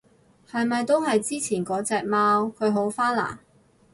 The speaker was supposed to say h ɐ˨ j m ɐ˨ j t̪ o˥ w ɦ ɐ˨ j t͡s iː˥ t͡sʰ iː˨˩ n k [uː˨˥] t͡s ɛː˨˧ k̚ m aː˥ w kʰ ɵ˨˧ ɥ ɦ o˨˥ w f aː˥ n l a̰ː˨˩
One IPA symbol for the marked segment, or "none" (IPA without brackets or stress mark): ɔː˨˥